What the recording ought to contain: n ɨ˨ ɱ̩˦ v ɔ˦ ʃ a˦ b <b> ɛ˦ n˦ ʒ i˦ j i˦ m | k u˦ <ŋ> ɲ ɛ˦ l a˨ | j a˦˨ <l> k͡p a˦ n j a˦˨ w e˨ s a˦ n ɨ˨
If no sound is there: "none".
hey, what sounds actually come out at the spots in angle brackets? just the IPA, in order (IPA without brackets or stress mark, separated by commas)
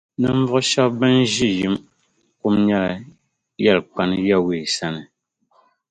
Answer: b, m, l